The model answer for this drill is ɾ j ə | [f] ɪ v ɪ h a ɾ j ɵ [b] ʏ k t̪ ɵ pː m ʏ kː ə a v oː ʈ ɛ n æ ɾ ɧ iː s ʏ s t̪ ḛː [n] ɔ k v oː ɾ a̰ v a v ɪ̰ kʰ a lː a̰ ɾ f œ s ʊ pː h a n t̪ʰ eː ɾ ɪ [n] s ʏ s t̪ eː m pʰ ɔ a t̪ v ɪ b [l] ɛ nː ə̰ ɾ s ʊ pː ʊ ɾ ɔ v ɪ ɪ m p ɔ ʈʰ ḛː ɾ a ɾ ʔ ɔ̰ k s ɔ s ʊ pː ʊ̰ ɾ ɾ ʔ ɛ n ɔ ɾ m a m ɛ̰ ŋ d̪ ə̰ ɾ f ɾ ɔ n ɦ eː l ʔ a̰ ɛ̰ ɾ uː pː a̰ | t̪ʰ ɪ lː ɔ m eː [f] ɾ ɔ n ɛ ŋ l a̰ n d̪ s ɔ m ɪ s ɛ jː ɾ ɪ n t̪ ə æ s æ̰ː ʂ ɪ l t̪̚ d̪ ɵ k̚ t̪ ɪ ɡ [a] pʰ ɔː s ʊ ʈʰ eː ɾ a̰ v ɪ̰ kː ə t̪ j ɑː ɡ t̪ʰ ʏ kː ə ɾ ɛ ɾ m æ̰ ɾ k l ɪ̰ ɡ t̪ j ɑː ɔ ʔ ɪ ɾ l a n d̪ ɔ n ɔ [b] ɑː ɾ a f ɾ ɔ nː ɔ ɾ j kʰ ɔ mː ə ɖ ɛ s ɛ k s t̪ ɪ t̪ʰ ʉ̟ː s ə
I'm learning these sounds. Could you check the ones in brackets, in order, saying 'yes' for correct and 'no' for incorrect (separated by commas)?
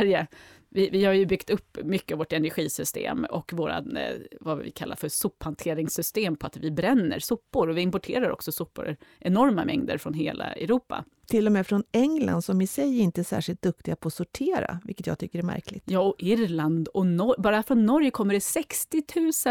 no, yes, no, no, no, yes, yes, yes